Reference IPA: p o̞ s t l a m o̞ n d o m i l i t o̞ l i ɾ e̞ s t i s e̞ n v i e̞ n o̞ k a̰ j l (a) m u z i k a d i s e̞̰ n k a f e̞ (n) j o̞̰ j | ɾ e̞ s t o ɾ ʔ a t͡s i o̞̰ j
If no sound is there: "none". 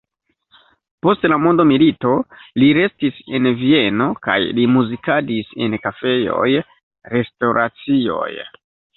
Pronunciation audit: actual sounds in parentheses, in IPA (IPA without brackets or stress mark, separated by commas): i, none